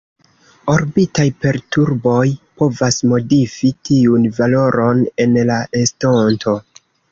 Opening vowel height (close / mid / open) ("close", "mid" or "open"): mid